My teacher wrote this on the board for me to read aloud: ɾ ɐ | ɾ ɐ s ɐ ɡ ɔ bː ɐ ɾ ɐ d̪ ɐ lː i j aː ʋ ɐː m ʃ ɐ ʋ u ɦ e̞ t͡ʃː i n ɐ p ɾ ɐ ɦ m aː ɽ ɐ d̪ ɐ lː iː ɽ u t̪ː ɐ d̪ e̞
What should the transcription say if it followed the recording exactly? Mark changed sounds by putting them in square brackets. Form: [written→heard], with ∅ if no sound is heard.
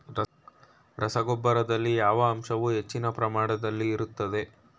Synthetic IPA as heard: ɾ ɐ | ɾ ɐ s ɐ ɡ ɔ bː ɐ ɾ ɐ d̪ ɐ lː i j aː ʋ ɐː m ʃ ɐ ʋ u ɦ e̞ t͡ʃː i n ɐ p ɾ ɐ [ɦ→∅] m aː ɽ ɐ d̪ ɐ lː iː [ɽ→ɾ] u t̪ː ɐ d̪ e̞